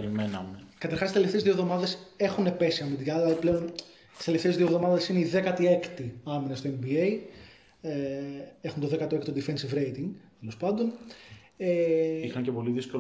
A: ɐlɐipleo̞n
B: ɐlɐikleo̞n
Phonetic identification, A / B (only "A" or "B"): A